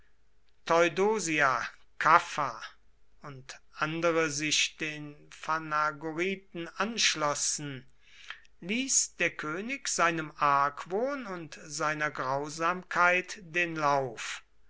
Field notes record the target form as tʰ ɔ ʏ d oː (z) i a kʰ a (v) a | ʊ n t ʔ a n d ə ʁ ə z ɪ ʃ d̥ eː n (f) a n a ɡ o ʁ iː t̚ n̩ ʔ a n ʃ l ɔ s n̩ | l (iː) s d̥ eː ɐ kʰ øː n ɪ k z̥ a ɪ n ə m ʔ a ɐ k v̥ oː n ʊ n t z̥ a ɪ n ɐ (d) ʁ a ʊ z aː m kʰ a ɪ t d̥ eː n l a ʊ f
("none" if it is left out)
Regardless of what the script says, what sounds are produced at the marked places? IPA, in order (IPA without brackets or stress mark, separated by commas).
z, f, f, iː, ɡ